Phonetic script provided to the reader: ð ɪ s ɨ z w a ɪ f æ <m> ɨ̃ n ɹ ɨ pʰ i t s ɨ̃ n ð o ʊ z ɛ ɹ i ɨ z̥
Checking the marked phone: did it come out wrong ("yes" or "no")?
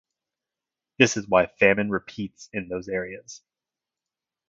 no